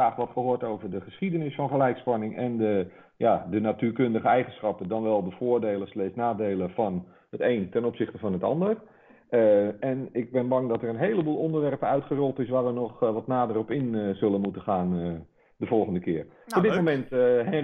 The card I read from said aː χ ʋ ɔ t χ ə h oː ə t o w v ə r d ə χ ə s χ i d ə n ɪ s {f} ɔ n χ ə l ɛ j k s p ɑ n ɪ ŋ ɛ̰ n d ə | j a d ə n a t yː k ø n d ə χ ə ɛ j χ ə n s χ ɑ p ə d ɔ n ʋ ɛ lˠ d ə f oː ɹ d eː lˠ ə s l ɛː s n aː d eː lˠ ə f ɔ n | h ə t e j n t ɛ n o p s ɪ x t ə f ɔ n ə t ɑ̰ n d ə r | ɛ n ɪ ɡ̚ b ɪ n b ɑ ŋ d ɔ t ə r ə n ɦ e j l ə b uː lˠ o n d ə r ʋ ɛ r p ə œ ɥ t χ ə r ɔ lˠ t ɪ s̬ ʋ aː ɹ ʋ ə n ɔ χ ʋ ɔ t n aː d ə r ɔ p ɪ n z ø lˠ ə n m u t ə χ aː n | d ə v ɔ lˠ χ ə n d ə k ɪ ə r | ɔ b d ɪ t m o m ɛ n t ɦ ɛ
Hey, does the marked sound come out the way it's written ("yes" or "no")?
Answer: yes